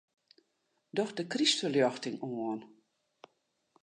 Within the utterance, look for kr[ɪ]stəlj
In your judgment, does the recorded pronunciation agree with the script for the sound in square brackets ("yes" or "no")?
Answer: no